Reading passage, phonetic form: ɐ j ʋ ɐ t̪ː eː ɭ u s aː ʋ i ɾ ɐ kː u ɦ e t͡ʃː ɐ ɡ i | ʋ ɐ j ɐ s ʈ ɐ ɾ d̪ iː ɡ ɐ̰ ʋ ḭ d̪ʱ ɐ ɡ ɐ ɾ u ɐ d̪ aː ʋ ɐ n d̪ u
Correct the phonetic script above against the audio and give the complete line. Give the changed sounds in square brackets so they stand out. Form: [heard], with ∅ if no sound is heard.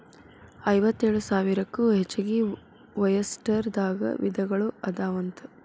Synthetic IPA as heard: ɐ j ʋ ɐ t̪ː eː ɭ u s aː ʋ i ɾ ɐ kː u ɦ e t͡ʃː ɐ ɡ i | ʋ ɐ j ɐ s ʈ ɐ ɾ d̪ [aː] ɡ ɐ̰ ʋ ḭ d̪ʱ ɐ ɡ ɐ [ɭ] u ɐ d̪ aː ʋ ɐ n [t̪] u